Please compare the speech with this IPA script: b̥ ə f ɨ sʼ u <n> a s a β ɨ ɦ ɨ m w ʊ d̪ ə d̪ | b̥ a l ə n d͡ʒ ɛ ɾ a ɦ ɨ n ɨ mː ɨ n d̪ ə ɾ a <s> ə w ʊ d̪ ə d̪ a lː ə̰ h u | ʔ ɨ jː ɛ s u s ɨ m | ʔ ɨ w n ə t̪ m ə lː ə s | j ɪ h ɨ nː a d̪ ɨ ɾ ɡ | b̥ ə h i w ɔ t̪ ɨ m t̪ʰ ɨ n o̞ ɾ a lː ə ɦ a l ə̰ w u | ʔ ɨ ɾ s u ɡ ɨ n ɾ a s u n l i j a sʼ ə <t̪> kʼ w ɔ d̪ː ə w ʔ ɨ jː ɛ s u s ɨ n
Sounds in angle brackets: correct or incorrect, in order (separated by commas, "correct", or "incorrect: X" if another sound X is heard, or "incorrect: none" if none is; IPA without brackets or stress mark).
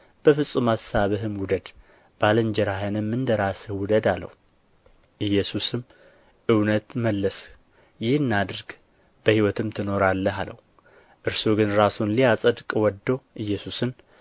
incorrect: m, correct, incorrect: d̪